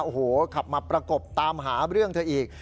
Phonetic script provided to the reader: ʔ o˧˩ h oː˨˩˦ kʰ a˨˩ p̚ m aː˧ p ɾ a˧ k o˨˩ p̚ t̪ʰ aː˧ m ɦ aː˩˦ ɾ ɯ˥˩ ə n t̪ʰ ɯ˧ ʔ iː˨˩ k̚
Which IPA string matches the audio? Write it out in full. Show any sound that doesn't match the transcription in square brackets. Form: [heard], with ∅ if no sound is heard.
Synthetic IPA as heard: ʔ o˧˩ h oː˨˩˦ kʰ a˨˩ p̚ m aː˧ p ɾ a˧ k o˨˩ p̚ [t̪] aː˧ m ɦ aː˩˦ ɾ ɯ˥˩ ə [ŋ] t̪ʰ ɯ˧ ʔ iː˨˩ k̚

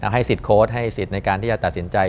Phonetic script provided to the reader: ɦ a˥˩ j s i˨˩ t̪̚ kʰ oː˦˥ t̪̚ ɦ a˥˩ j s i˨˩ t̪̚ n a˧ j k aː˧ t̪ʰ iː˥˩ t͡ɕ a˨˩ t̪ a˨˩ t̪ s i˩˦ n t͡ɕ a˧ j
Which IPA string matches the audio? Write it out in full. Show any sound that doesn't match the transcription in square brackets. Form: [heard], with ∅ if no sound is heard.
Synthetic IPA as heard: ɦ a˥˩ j s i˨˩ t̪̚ kʰ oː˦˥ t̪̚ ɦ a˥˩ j s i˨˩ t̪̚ n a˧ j k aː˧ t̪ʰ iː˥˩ t͡ɕ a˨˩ t̪ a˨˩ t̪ s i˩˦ n t͡ɕ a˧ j

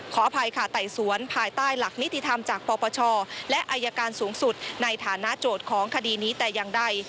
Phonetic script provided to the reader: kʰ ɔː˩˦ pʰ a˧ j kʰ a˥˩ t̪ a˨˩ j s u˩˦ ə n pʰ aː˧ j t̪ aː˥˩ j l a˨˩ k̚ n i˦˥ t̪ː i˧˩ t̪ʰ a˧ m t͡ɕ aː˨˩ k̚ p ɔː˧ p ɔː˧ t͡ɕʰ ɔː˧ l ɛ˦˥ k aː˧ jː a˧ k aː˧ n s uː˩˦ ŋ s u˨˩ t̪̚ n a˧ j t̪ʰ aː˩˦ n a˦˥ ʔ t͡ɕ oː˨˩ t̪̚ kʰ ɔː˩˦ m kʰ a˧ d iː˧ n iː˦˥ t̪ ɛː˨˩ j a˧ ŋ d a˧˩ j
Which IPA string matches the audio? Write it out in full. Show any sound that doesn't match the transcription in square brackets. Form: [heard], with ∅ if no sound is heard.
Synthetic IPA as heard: kʰ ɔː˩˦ pʰ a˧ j kʰ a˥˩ t̪ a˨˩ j s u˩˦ ə n pʰ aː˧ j t̪ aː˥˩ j l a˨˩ k̚ n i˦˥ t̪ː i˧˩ t̪ʰ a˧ m t͡ɕ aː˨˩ k̚ p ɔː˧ p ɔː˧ t͡ɕʰ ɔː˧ l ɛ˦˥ [ʔ] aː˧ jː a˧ k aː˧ n s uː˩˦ ŋ s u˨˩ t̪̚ n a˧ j t̪ʰ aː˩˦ n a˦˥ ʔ t͡ɕ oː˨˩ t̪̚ kʰ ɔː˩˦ [ŋ] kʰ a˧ d iː˧ n iː˦˥ t̪ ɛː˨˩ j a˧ ŋ d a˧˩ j

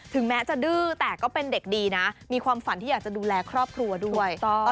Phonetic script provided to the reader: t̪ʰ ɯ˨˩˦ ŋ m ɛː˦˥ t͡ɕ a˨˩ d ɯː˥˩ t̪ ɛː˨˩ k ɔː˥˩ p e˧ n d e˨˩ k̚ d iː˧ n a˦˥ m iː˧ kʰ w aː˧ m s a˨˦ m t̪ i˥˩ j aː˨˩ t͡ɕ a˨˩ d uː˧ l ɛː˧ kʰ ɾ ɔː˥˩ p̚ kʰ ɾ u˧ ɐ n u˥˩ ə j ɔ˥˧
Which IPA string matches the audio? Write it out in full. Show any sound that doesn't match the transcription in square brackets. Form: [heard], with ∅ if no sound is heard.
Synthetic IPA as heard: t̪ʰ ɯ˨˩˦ ŋ m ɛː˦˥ t͡ɕ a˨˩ d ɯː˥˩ t̪ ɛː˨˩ k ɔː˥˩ p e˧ n d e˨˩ k̚ d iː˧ n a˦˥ m iː˧ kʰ w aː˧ m [f] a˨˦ [n] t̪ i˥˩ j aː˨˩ t͡ɕ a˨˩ d uː˧ l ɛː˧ kʰ ɾ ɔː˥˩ p̚ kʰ ɾ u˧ ɐ [d] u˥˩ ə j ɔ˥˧

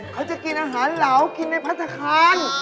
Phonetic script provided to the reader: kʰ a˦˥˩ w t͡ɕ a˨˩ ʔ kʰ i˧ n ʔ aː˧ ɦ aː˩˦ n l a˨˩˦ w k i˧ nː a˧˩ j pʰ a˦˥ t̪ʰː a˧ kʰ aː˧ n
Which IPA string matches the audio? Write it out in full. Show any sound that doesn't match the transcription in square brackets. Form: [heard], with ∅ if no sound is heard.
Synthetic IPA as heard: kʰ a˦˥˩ w t͡ɕ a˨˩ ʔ [k] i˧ n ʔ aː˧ ɦ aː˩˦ n l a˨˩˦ w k i˧ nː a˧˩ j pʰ a˦˥ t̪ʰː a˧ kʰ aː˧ n

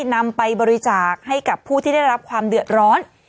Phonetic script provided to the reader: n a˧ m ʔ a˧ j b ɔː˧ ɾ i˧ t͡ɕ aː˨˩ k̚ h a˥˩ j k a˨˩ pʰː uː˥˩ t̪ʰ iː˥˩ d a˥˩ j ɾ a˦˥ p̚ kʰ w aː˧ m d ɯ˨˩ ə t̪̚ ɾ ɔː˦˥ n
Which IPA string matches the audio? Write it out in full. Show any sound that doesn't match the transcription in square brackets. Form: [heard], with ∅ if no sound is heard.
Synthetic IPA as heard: n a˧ m [p] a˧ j b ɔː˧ ɾ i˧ t͡ɕ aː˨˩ k̚ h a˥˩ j k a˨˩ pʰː uː˥˩ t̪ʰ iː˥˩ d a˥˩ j ɾ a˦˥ p̚ kʰ w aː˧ m d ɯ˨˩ ə t̪̚ ɾ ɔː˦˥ n

